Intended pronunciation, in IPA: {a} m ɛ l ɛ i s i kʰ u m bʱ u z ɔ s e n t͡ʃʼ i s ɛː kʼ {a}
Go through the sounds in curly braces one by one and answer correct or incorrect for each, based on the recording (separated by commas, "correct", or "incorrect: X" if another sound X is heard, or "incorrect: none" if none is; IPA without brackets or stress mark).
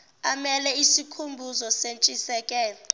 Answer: correct, incorrect: ɛ